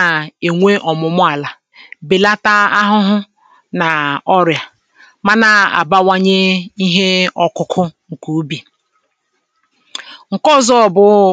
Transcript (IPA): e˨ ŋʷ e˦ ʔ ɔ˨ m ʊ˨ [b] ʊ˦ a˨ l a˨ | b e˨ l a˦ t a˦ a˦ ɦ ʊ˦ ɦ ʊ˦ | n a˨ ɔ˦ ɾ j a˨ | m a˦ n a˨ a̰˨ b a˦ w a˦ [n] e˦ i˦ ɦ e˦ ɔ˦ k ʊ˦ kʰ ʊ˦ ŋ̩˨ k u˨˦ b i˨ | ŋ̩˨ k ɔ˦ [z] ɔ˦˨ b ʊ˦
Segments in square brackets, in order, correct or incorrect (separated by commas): incorrect, incorrect, correct